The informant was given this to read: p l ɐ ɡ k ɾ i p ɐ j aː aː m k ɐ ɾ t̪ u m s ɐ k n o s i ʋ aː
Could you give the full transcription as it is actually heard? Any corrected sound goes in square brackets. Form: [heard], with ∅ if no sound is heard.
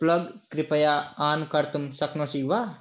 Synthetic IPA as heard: p l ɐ ɡ k ɾ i p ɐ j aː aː [n] k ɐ ɾ t̪ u m s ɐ k n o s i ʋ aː